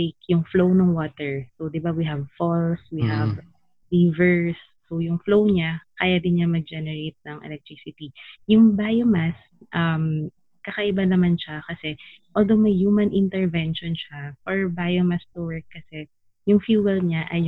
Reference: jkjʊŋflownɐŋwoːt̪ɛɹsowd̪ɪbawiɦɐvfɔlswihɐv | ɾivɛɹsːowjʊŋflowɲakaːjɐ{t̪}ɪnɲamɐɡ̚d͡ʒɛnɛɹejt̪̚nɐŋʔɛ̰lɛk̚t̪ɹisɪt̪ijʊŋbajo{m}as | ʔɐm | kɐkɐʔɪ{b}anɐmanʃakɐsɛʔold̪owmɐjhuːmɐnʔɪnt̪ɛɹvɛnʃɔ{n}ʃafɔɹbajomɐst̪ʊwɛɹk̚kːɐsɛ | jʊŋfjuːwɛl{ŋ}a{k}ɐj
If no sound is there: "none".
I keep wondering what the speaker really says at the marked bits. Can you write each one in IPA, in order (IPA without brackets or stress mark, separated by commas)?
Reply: d̪, m, b, n, ɲ, ʔ